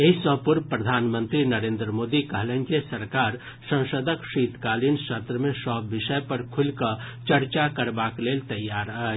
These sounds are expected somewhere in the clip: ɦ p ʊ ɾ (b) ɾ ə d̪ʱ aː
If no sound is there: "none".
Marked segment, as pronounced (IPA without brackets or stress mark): p